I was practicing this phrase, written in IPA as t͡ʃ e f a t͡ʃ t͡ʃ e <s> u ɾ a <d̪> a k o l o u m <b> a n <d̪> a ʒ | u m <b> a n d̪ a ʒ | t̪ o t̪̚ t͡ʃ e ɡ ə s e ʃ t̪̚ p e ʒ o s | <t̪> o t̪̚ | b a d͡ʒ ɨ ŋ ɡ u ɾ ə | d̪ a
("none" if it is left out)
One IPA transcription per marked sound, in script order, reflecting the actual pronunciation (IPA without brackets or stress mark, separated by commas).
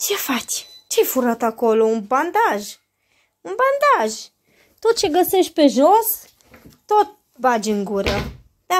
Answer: f, t̪, b, d̪, b, t̪